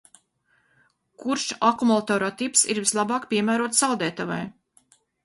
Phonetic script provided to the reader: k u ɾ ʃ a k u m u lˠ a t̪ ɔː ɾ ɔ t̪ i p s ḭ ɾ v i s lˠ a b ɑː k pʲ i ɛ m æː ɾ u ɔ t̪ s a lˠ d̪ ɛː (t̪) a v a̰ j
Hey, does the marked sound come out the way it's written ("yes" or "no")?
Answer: yes